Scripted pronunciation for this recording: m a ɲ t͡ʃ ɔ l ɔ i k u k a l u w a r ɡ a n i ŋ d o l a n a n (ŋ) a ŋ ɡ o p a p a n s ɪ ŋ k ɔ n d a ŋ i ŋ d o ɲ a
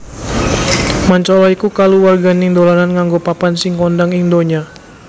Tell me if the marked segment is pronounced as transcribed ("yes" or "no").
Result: yes